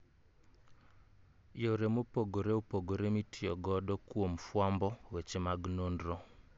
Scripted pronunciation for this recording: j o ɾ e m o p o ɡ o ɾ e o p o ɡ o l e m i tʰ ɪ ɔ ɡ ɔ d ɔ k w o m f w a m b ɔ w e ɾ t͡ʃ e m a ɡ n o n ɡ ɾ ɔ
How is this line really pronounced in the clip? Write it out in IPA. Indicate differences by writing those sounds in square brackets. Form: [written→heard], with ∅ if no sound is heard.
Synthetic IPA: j o ɾ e m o p o ɡ o ɾ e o p o ɡ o [l→ɾ] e m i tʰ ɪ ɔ ɡ ɔ d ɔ k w o m f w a m b ɔ w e [ɾ→∅] t͡ʃ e m a ɡ n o n [ɡ→d] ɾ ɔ